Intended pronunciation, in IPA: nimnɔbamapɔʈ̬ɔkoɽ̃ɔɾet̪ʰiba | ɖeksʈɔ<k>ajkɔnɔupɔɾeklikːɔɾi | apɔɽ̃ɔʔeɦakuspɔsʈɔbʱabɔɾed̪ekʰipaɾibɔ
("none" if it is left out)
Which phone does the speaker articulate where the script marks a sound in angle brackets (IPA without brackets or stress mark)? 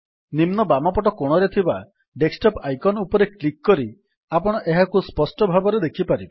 p